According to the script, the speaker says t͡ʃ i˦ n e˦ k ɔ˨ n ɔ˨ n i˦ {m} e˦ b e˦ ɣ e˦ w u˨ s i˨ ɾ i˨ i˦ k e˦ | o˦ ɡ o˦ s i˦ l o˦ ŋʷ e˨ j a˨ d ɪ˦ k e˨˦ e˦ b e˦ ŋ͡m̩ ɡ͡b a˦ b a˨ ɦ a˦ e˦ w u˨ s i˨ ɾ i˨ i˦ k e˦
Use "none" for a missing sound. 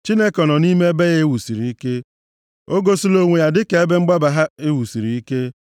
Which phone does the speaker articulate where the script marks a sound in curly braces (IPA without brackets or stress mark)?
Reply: m